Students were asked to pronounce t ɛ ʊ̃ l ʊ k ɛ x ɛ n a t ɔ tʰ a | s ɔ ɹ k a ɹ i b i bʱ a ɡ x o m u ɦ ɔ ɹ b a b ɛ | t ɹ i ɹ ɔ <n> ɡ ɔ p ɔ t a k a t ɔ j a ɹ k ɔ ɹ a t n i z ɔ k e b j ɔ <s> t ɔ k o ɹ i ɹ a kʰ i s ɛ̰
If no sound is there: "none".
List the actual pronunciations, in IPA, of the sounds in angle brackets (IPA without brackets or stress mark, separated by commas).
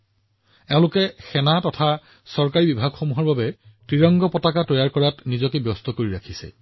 ŋ, s